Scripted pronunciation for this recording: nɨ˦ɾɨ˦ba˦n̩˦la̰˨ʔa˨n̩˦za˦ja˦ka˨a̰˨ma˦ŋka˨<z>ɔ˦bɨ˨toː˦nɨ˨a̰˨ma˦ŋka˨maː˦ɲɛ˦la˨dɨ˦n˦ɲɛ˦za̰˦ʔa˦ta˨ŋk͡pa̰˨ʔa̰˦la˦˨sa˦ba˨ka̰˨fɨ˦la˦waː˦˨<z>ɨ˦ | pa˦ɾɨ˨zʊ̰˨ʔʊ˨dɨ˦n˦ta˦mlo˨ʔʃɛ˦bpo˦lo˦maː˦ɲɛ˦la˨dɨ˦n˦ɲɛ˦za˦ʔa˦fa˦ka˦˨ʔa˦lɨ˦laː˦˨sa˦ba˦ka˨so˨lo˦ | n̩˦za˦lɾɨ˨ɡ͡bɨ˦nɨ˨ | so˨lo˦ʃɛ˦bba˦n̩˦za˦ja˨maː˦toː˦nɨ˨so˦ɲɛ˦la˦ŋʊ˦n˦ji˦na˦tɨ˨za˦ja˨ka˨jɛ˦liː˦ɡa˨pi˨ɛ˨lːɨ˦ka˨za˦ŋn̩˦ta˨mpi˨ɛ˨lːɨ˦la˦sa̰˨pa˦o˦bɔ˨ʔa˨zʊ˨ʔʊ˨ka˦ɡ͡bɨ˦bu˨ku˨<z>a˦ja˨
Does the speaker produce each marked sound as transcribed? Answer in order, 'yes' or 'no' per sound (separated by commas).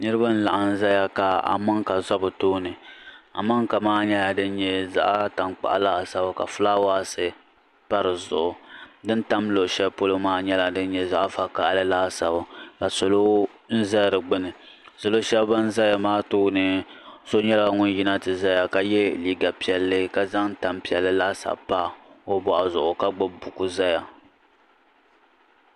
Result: yes, no, yes